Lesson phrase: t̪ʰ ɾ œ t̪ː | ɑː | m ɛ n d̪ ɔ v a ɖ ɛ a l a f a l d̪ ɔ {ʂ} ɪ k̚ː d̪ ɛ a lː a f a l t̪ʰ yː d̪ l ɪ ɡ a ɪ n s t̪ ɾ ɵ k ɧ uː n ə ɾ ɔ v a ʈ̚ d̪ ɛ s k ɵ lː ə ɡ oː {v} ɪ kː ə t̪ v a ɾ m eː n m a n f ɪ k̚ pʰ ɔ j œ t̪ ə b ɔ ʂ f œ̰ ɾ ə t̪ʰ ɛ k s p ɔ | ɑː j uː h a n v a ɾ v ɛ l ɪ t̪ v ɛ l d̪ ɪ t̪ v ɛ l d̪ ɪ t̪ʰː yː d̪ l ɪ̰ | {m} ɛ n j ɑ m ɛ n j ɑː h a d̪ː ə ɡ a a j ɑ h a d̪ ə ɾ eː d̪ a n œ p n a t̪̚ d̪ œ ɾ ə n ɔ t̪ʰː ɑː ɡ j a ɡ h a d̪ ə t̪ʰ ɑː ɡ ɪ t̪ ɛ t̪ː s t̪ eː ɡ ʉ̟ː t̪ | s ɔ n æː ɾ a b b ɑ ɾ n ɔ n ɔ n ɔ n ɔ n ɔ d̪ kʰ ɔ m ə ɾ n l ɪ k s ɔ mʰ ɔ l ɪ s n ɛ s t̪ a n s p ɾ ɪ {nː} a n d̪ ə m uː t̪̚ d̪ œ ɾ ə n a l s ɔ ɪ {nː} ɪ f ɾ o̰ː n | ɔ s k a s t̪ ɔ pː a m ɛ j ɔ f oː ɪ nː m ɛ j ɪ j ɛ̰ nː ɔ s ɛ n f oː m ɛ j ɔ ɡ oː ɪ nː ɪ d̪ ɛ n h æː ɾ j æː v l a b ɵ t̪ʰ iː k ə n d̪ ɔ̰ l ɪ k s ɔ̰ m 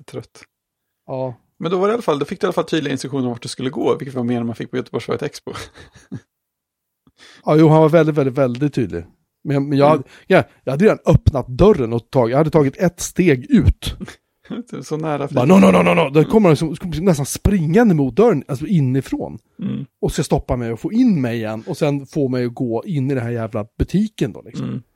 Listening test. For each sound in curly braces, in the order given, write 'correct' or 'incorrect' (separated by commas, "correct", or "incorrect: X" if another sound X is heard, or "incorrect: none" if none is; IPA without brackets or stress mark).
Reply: incorrect: f, correct, correct, incorrect: ŋː, correct